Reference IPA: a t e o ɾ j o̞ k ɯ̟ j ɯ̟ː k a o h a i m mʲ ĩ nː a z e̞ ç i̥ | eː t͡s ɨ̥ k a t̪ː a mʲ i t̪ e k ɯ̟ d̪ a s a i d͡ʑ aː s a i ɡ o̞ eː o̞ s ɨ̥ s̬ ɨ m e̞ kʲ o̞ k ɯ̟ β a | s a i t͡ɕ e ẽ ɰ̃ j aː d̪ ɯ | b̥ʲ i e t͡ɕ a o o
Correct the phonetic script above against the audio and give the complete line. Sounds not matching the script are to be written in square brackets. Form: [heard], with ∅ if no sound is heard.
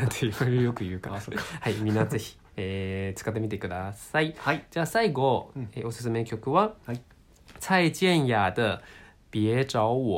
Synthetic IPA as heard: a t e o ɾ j o̞ k ɯ̟ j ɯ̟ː k a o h a i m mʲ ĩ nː a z e̞ ç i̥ | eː t͡s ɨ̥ k a t̪ː [e] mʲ i t̪ e k ɯ̟ d̪ a s a i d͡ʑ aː s a i ɡ o̞ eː o̞ s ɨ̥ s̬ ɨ m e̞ kʲ o̞ k ɯ̟ β a | s a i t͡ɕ [i] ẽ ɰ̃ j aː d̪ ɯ | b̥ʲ i e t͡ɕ a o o